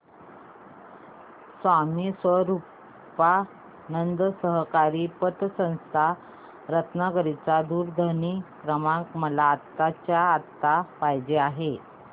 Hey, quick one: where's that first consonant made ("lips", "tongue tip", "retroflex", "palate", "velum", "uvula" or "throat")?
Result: tongue tip